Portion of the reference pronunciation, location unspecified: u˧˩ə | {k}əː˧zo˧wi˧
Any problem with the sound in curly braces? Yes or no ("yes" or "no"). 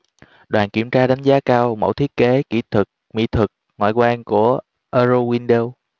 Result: yes